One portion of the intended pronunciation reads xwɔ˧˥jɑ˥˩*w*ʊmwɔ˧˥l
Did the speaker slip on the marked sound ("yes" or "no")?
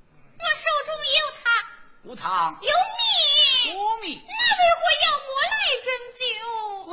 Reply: yes